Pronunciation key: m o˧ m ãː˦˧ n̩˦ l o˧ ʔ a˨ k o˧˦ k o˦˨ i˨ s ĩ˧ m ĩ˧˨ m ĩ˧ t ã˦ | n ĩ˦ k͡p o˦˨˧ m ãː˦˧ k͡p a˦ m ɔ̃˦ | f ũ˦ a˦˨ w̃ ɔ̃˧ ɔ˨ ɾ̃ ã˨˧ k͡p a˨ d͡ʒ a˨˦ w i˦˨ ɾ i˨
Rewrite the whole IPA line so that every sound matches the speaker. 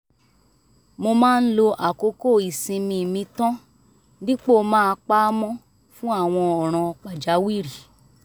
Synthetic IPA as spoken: m o˧ m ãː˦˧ n̩˦ l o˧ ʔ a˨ k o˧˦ k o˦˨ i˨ s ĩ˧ m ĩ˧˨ m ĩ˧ t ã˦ | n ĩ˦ k͡p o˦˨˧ m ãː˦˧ k͡p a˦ m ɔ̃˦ | f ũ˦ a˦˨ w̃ ɔ̃˧ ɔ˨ ɾ̃ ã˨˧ k͡p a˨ d͡ʒ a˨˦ w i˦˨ ɾ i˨